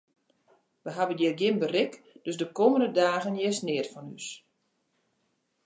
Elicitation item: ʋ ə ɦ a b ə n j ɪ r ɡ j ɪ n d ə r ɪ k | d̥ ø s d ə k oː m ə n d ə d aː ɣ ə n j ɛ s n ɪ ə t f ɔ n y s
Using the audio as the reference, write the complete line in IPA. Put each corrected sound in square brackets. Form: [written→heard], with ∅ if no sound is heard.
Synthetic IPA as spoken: ʋ ə ɦ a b ə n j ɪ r ɡ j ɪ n [d→b] ə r ɪ k | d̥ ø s d ə k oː m ə n d ə d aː ɣ ə n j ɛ s n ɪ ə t f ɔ n y s

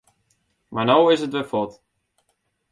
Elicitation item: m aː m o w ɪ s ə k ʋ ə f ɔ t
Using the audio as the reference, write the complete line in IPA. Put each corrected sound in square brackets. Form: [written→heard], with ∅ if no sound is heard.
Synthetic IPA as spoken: m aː [m→n] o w ɪ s ə [k→t] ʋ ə f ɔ t

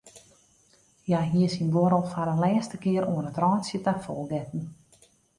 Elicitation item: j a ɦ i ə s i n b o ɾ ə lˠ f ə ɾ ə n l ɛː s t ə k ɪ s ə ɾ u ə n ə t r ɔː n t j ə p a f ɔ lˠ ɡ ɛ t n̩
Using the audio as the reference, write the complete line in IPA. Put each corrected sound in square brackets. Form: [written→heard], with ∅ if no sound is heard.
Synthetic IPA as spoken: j a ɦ i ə s i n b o ɾ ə lˠ f [ə→a] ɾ ə n l ɛː s t ə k ɪ [s→∅] ə ɾ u ə n ə t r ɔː n [t→s] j ə [p→t] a f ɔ lˠ ɡ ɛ t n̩

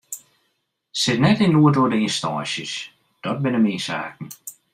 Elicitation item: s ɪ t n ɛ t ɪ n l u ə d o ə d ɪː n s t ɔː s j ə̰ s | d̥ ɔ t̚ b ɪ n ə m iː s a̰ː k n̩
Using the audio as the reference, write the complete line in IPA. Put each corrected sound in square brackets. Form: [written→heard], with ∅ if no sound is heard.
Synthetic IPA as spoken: s ɪ t n ɛ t ɪ n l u ə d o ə d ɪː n s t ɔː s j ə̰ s | d̥ ɔ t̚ b ɪ n ə m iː s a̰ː k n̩

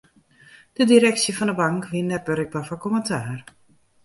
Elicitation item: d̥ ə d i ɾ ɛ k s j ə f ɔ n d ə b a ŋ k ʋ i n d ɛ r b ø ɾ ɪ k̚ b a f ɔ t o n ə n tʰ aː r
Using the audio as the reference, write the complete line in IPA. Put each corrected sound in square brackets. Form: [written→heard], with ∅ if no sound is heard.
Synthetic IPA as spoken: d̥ ə d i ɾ ɛ k s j ə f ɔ n d ə b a ŋ k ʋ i n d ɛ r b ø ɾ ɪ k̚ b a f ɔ [t→k] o [n→m] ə n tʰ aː r

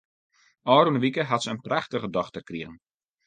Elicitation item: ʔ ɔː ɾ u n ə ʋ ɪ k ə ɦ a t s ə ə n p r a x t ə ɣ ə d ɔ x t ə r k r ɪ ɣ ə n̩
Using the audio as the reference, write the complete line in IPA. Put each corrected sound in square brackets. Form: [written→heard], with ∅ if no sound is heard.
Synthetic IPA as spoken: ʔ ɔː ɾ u n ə ʋ [ɪ→i] k ə ɦ a t s ə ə n p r a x t ə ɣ ə d ɔ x t ə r k r [ɪ→i] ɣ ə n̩

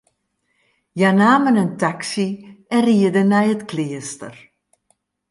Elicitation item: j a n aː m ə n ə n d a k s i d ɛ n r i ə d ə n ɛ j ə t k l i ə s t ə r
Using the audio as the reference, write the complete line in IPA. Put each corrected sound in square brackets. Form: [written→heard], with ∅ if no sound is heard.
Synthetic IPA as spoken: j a n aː m ə n ə n [d→t] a k s i [d→∅] ɛ n r i ə d ə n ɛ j ə t k l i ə s t ə r

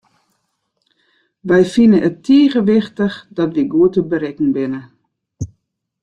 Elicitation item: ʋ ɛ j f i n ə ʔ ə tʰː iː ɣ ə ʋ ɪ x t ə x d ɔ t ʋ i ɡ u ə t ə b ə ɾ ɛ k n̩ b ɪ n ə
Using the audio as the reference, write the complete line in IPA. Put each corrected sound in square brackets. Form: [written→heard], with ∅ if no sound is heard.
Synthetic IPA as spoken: ʋ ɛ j f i n ə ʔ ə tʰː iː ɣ ə ʋ ɪ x t ə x d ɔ t ʋ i ɡ u ə t ə b ə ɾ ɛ k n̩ b ɪ n ə

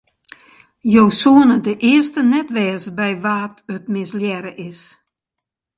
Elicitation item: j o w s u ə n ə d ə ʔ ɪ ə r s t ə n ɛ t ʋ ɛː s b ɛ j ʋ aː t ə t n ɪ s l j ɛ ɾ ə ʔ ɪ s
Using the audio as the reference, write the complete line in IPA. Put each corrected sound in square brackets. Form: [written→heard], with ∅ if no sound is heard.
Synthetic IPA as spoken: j o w s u ə n ə d ə ʔ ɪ ə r s t ə n ɛ t ʋ ɛː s b ɛ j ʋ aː t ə t [n→m] ɪ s l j ɛ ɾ ə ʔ ɪ s

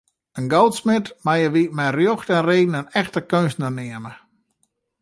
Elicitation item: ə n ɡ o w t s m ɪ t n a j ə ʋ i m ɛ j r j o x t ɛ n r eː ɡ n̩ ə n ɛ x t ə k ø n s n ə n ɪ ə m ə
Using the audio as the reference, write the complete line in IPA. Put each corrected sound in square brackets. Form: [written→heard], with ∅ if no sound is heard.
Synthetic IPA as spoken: ə n ɡ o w t s m ɪ t [n→m] a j ə ʋ i m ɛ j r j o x t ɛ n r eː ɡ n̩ ə n ɛ x t ə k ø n s n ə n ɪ ə m ə

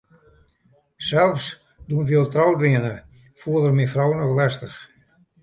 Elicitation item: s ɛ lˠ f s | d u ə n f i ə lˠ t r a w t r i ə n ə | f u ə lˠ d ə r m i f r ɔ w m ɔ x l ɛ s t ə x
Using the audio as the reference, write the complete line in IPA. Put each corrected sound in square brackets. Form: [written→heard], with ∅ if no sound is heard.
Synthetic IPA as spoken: s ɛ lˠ f s | d u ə n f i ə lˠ t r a w [t→d] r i ə n ə | f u ə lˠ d ə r m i f r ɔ w [m→n] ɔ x l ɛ s t ə x

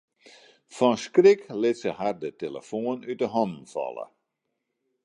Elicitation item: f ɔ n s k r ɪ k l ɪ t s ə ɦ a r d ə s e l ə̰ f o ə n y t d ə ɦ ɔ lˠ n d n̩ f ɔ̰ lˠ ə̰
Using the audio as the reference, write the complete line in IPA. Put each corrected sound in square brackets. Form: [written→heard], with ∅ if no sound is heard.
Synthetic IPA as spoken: f ɔ n s k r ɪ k l ɪ t s ə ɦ a r d ə [s→t] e l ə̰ f o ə n y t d ə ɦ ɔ [lˠ→∅] n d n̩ f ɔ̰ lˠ ə̰

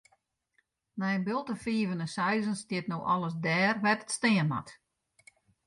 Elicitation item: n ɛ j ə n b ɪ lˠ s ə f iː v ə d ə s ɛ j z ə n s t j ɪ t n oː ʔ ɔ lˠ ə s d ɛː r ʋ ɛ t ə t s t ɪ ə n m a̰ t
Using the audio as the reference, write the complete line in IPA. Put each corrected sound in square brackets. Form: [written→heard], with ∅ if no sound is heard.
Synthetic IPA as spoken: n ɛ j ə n b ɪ lˠ [s→t] ə f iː v ə [d→n] ə s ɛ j z ə n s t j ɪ t n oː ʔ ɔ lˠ ə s d ɛː r ʋ ɛ t ə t s t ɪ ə n m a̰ t

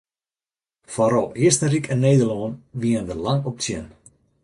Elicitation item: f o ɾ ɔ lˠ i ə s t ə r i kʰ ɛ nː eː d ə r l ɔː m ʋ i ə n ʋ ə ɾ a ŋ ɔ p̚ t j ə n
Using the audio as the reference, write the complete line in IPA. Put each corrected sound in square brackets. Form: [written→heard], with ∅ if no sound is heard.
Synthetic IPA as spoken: f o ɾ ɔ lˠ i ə s t ə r i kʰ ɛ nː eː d ə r l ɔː [m→n] ʋ i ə n ʋ ə [ɾ→l] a ŋ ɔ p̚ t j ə n

